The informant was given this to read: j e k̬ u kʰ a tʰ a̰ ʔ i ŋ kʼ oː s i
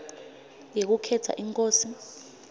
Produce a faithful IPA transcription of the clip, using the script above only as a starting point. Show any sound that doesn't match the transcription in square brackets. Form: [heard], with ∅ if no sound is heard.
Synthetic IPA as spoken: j e k̬ u kʰ [ɛ] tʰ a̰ ʔ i ŋ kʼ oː s i